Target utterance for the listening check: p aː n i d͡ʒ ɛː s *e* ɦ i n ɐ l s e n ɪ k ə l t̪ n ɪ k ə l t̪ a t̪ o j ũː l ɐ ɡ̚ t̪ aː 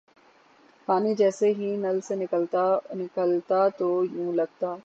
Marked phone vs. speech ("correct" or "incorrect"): correct